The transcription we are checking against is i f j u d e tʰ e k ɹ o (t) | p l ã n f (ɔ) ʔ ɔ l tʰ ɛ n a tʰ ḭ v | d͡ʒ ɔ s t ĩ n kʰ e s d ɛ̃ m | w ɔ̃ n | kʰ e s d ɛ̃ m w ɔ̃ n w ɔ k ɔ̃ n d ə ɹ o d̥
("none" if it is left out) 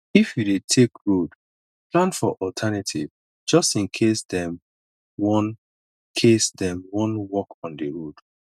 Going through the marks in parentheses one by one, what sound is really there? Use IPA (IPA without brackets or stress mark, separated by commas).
d, ɔ